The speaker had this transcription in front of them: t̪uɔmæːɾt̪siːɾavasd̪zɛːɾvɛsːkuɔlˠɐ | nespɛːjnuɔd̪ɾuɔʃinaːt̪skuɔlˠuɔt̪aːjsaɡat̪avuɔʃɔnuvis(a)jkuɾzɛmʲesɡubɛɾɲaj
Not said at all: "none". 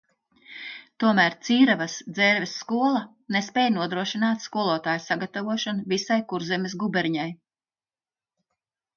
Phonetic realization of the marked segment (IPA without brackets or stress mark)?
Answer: a